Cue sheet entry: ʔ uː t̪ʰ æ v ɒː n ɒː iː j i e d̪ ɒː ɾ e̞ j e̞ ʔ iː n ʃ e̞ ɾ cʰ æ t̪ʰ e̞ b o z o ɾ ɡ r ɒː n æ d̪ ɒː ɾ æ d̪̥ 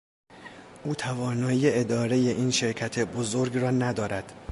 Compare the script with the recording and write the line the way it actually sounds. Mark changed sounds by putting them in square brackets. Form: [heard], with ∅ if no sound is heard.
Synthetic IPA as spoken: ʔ uː t̪ʰ æ v ɒː n ɒː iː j [e] e d̪ ɒː ɾ e̞ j e̞ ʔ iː n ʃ e̞ ɾ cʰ æ t̪ʰ e̞ b o z o ɾ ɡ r ɒː n æ d̪ ɒː ɾ æ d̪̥